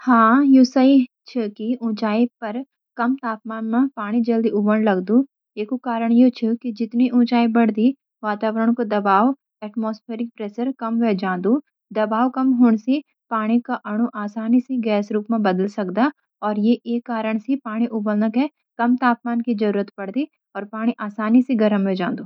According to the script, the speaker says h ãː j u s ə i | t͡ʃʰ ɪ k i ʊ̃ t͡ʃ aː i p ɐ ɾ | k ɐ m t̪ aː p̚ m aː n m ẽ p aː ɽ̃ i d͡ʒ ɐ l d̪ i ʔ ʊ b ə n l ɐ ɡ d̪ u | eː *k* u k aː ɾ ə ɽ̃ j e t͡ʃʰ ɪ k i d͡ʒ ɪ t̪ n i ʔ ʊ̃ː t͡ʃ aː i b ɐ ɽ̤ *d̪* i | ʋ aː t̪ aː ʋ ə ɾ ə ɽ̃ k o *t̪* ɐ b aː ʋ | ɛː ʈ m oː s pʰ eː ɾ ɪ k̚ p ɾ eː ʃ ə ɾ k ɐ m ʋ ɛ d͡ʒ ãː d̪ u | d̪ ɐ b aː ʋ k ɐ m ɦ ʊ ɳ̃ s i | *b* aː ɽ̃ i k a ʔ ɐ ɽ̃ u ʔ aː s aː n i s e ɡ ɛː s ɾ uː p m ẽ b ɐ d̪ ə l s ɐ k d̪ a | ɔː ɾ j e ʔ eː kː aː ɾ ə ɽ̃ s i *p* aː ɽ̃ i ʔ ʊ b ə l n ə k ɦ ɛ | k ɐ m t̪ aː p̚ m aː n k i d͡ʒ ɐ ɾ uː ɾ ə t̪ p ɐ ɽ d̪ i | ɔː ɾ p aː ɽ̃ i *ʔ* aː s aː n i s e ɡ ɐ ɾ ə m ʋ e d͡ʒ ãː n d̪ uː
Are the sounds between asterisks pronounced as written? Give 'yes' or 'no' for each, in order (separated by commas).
yes, yes, no, no, yes, yes